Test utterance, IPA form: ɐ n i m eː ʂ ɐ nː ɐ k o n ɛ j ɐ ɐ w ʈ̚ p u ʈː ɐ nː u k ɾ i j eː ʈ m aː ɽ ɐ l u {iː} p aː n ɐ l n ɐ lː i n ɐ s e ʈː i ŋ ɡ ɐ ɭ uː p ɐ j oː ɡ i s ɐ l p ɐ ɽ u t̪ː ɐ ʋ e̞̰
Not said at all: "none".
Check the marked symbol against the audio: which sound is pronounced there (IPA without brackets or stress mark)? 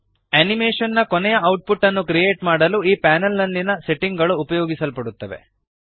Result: iː